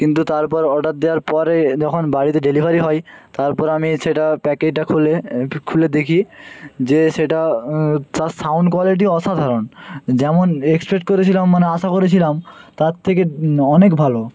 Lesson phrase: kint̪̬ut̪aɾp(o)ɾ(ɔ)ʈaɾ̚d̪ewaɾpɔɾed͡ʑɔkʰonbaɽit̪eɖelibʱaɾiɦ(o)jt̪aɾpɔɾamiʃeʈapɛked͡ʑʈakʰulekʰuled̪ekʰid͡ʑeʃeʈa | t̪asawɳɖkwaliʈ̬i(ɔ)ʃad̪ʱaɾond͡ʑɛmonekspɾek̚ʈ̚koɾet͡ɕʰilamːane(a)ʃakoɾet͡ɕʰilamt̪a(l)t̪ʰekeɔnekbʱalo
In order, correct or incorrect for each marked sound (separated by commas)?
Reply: incorrect, correct, incorrect, correct, correct, incorrect